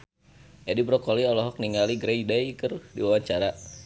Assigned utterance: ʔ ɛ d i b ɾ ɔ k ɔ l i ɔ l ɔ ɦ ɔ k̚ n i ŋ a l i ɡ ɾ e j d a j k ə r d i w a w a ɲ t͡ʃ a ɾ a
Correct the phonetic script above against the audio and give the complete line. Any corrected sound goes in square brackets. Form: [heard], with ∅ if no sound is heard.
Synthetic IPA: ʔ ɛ d i b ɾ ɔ k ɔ l i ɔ l ɔ ɦ ɔ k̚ n i ŋ a l i ɡ ɾ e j d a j k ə r d i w a w a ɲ t͡ʃ a ɾ a